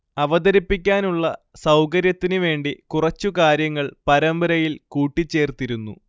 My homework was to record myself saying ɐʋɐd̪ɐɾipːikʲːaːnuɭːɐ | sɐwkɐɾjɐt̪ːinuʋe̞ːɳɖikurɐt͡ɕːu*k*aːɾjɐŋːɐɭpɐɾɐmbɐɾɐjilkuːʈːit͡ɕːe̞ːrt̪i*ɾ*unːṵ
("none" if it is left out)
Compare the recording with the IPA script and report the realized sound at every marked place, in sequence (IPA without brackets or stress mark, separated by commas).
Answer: k, ɾ